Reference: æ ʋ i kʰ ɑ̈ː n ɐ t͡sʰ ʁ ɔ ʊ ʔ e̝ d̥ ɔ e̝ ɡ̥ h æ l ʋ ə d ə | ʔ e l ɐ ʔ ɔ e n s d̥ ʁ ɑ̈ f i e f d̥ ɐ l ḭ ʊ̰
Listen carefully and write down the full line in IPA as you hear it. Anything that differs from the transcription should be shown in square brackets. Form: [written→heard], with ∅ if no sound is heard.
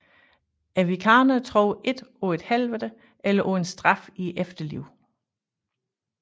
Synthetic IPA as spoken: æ ʋ i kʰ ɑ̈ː n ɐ t͡sʰ ʁ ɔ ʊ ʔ e̝ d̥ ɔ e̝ [ɡ̥→d̥] h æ l ʋ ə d ə | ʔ e l ɐ ʔ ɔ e n s d̥ ʁ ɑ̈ f i e f d̥ ɐ l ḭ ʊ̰